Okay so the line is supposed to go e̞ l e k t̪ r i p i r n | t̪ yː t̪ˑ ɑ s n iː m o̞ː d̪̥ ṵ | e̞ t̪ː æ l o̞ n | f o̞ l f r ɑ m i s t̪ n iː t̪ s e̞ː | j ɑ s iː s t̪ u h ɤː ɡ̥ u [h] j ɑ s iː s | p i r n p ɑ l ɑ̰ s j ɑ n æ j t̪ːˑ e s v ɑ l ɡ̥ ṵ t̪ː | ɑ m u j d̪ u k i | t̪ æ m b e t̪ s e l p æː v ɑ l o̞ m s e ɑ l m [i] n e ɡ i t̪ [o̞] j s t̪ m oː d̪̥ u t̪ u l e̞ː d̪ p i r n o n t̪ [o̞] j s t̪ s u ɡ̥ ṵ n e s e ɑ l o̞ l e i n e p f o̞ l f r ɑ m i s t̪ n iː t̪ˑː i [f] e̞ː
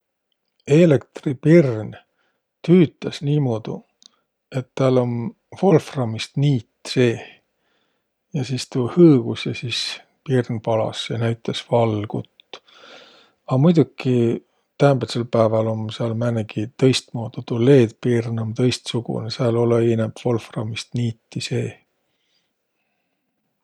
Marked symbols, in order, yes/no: no, no, no, no, no

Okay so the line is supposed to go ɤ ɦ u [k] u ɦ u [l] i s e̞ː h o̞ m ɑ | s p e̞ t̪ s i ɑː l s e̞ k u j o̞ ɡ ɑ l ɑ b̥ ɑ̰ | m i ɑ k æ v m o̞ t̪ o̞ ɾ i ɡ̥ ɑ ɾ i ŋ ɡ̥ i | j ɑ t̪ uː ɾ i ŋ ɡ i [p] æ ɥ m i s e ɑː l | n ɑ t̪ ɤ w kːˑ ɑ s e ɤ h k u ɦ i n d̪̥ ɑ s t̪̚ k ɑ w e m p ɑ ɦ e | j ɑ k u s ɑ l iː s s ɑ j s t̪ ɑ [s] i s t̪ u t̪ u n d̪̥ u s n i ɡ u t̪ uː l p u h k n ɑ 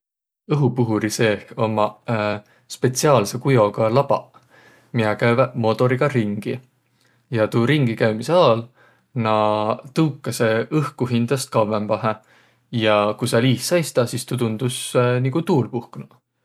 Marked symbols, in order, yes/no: no, no, no, yes

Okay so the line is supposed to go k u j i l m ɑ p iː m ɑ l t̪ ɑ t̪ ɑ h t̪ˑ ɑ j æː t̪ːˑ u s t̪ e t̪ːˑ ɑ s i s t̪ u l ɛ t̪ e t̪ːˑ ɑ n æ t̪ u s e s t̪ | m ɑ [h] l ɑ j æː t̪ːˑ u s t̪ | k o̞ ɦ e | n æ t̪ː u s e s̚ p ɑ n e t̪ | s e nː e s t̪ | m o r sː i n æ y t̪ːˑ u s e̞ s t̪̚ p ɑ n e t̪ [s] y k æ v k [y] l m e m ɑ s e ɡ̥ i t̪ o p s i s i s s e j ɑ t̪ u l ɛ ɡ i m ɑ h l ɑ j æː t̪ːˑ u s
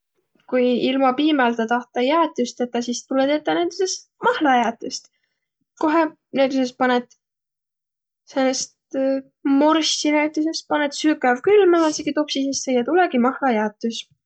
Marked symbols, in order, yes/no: yes, yes, yes

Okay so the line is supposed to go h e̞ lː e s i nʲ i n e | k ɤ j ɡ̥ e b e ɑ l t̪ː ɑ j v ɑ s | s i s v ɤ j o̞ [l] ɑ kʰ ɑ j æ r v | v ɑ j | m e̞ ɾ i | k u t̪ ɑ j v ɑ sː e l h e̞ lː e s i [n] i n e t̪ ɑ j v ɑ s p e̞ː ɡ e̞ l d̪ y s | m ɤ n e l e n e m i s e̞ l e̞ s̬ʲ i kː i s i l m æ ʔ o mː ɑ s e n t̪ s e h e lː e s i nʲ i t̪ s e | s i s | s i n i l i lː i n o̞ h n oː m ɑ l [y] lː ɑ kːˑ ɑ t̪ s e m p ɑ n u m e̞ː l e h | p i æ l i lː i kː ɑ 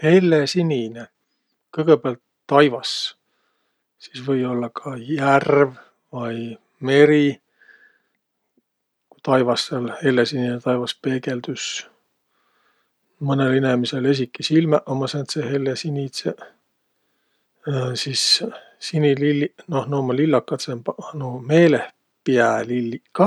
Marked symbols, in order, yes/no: no, yes, no

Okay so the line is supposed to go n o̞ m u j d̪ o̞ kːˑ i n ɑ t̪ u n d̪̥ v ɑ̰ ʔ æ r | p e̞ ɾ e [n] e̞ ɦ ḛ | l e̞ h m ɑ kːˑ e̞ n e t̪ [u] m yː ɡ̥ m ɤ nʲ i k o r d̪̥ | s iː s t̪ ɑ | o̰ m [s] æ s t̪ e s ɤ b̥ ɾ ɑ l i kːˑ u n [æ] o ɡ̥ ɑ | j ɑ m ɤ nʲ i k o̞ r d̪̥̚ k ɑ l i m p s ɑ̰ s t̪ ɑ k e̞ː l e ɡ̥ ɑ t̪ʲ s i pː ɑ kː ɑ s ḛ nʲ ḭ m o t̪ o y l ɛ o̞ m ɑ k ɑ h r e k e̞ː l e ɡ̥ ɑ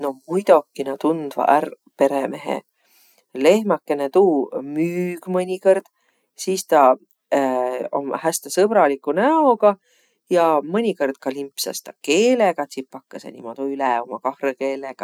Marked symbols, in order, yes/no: no, no, no, yes

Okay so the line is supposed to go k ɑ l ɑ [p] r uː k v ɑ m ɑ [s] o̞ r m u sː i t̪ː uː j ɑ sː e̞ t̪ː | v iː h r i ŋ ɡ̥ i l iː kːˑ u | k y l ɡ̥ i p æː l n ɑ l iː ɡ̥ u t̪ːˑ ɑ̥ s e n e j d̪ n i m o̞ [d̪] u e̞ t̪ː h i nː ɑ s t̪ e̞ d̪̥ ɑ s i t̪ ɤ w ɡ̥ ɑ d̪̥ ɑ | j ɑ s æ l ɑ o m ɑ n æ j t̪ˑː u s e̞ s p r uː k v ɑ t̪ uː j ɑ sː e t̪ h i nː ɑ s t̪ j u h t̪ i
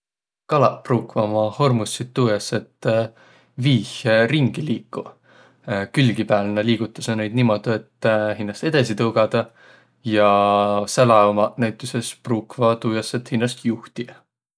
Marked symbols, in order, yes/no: yes, no, yes

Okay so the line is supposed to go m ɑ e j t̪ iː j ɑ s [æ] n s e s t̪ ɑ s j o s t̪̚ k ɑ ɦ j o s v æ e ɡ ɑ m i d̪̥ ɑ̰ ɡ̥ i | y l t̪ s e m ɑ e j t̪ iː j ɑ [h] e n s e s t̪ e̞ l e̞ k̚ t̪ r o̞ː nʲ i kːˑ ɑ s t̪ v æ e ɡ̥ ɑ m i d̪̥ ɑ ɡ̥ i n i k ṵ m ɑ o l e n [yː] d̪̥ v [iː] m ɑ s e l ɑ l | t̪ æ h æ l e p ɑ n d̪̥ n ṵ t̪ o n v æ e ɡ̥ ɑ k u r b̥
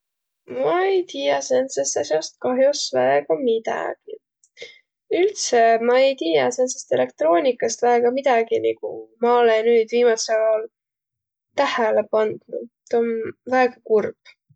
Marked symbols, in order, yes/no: no, no, yes, yes

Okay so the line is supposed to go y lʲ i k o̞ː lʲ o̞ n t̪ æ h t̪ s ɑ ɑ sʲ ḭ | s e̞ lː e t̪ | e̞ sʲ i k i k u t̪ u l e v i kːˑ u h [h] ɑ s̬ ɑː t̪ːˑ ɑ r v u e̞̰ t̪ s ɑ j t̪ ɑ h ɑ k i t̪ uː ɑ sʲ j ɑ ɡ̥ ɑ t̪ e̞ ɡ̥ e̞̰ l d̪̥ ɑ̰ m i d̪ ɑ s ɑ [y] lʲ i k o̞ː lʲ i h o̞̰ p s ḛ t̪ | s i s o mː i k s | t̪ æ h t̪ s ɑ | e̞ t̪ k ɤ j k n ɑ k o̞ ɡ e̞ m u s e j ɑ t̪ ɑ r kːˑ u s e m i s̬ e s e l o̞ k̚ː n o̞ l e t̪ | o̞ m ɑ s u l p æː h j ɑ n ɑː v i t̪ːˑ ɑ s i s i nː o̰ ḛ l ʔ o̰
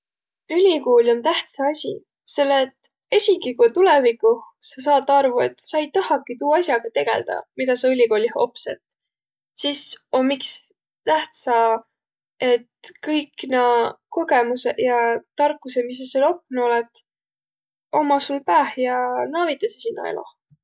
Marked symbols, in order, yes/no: no, yes

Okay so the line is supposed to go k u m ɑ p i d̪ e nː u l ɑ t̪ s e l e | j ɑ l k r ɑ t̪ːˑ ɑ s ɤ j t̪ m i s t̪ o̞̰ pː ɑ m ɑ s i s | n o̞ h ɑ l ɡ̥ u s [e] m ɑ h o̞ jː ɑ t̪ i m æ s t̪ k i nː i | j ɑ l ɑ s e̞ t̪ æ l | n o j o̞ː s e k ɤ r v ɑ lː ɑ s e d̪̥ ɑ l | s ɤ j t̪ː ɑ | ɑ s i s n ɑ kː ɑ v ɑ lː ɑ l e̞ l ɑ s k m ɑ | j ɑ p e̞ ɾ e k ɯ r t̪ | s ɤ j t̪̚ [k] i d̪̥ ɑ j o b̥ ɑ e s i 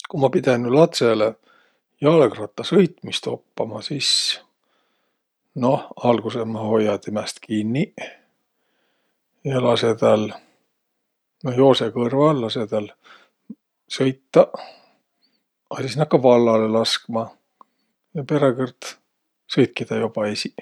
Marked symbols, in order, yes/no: yes, yes

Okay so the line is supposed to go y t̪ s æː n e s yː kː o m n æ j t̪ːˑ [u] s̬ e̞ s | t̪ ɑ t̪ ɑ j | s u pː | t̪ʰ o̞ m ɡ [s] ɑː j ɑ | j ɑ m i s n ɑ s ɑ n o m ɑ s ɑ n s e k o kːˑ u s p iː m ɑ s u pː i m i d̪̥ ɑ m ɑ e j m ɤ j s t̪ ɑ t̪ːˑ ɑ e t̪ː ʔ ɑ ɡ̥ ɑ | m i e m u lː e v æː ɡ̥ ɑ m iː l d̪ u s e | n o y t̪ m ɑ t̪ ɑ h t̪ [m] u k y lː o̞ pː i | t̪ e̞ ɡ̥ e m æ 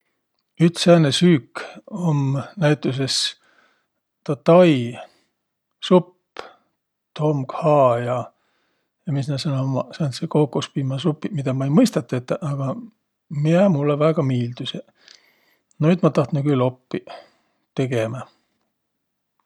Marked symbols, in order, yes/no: yes, no, no

